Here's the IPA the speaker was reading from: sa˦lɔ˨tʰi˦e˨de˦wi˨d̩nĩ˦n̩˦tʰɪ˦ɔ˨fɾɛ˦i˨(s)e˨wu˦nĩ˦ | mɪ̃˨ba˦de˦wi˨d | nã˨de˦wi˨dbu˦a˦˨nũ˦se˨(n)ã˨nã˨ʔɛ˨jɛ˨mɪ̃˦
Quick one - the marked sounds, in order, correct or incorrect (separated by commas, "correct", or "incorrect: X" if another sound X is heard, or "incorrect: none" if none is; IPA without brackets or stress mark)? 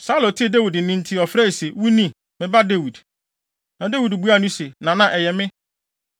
correct, correct